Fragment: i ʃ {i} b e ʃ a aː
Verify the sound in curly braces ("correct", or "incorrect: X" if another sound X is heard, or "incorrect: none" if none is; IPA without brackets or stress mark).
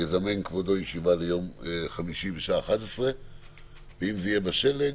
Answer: correct